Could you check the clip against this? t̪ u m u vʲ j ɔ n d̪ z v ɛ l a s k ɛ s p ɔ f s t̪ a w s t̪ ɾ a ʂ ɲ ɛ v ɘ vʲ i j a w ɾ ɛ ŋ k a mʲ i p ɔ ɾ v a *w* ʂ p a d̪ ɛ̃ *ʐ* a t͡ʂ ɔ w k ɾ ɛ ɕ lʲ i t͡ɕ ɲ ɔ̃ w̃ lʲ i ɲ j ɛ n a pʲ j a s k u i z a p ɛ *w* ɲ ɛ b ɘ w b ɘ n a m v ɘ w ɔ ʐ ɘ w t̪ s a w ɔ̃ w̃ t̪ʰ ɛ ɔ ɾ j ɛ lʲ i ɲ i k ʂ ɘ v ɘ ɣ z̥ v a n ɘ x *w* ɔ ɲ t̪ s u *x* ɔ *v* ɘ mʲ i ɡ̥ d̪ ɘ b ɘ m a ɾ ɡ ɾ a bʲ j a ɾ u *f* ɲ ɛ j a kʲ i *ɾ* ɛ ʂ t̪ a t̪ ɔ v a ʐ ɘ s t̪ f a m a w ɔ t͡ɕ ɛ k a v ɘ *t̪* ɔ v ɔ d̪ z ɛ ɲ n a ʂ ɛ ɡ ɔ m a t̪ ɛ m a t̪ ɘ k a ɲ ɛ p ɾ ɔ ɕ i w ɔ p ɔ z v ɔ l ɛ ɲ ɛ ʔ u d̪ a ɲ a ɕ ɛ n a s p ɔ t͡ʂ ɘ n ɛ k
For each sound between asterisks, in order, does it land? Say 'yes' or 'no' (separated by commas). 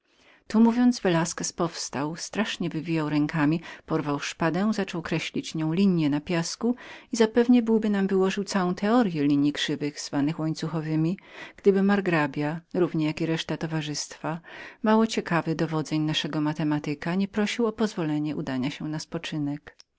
yes, no, no, yes, yes, yes, no, yes, no